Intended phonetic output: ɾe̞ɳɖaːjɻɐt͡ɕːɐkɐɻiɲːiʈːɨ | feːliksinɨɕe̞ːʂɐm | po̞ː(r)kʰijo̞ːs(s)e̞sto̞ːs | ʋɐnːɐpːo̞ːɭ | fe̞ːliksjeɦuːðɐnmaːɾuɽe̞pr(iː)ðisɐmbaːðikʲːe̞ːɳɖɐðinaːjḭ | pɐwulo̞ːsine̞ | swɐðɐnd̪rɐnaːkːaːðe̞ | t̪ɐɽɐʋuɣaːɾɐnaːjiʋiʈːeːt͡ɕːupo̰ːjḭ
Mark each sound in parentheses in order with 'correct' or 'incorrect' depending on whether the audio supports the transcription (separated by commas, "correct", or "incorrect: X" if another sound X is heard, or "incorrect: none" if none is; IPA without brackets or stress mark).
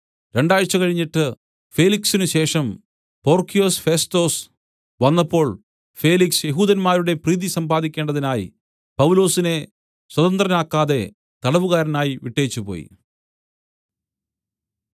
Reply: correct, incorrect: f, correct